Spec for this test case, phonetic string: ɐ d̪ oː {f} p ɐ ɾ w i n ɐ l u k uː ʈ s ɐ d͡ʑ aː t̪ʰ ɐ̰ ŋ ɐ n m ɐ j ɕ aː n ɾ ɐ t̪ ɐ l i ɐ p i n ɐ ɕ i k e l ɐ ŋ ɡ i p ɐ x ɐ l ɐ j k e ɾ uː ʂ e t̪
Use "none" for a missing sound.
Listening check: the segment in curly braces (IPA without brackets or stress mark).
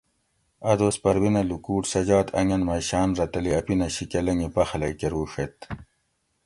s